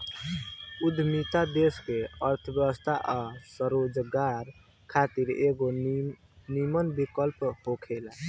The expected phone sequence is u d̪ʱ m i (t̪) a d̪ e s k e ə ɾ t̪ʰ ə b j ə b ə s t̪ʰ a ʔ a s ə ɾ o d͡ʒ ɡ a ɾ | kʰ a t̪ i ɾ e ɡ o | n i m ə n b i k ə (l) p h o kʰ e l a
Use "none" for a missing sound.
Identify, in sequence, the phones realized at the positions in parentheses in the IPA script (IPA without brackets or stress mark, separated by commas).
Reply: t̪, l